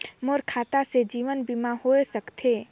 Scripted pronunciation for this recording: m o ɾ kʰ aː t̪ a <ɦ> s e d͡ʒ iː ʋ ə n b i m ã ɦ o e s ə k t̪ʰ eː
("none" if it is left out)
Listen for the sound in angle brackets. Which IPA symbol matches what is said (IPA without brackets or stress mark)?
none